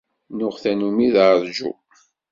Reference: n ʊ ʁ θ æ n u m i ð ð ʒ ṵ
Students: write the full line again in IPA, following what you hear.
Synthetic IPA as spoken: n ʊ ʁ θ æ n u m i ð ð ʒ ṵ